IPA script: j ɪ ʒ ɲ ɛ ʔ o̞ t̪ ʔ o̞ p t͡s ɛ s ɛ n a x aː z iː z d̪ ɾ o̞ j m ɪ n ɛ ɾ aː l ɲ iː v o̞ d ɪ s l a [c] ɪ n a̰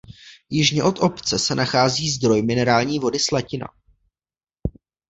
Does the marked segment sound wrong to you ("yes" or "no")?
no